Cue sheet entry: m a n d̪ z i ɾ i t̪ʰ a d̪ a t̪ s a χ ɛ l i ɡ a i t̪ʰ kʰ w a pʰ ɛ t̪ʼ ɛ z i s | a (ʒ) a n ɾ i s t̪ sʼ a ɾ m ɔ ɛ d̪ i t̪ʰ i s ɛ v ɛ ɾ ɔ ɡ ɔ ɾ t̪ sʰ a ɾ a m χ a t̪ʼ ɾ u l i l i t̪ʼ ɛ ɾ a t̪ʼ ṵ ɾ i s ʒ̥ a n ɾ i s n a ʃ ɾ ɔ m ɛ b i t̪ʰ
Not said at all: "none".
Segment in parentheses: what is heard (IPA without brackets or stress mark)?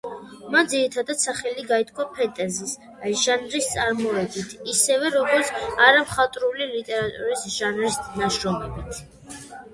ʒ